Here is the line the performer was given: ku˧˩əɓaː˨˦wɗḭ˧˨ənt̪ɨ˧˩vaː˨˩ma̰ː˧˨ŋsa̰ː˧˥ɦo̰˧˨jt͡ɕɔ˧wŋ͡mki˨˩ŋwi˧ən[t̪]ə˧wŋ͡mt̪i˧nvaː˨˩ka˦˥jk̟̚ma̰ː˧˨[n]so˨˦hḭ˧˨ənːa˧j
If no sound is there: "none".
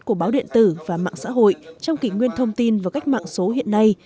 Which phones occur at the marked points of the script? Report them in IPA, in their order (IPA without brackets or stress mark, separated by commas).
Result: t̪ʰ, ŋ